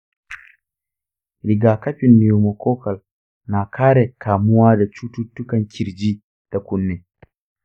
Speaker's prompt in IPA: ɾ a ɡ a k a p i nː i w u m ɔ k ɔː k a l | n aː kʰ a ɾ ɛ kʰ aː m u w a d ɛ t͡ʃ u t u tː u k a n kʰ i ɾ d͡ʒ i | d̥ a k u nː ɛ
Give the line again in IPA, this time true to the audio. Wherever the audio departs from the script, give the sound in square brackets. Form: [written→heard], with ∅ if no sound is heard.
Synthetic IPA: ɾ [a→i] ɡ a k a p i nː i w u m ɔ k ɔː k a l | n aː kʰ a ɾ ɛ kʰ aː m u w a d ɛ t͡ʃ u t u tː u k a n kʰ i ɾ d͡ʒ i | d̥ a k u nː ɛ